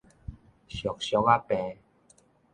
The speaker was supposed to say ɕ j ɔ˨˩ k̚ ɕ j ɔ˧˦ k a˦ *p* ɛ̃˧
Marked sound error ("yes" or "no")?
no